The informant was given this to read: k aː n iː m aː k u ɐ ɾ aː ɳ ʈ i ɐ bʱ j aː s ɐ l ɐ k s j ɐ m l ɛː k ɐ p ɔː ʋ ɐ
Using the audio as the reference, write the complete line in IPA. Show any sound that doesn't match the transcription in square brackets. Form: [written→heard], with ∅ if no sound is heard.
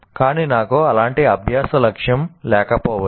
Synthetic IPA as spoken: k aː n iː [m→n] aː k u ɐ [ɾ→l] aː ɳ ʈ i ɐ bʱ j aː s ɐ l ɐ k [s→ʂ] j ɐ m l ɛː k ɐ p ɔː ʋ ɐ